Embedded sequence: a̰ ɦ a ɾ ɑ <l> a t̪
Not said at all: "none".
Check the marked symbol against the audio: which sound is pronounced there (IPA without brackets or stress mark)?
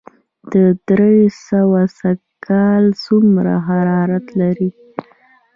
ɾ